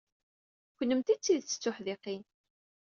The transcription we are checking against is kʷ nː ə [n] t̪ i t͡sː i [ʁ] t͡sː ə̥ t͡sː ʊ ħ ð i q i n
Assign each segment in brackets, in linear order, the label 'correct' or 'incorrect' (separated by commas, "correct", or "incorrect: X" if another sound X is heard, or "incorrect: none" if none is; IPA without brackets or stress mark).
incorrect: m, incorrect: ð